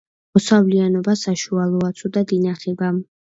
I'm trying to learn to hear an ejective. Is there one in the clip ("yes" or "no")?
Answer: no